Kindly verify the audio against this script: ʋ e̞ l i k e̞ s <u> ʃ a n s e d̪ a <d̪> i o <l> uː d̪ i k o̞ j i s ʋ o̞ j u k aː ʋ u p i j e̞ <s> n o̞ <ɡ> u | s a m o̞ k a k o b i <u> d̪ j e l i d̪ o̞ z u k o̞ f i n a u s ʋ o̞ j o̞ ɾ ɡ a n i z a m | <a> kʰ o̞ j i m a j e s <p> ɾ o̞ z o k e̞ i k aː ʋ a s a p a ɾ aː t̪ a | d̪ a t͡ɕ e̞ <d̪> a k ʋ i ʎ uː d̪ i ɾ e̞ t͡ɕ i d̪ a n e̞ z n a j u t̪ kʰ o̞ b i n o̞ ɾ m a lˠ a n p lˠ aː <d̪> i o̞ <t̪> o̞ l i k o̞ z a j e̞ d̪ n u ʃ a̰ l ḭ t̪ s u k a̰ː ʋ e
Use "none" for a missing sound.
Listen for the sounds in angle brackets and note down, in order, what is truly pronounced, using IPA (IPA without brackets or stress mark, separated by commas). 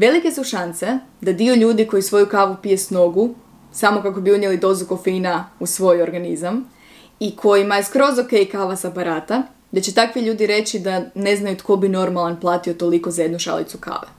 u, d̪, ʎ, s, ɡ, u, i, k, t̪, t̪, t̪